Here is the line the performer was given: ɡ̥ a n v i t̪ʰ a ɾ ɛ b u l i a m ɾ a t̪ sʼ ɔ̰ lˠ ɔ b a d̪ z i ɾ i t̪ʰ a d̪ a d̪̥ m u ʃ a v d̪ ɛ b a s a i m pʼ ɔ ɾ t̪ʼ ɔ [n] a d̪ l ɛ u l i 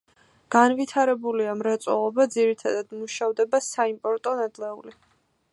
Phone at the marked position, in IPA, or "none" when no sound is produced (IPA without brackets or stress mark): n